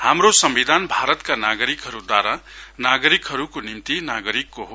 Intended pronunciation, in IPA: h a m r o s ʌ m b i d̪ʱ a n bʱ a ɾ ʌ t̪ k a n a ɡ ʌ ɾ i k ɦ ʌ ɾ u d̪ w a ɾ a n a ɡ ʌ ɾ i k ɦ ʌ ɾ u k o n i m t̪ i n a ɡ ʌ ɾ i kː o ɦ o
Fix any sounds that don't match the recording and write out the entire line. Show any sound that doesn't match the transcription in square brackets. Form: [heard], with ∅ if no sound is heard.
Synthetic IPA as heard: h a m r o s ʌ m b i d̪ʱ a n bʱ a ɾ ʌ t̪ k a n a ɡ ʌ ɾ i k ɦ ʌ ɾ u d̪ w a ɾ a n a ɡ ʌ ɾ i k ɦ ʌ ɾ u k o n i m t̪ i n a ɡ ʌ ɾ i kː o ɦ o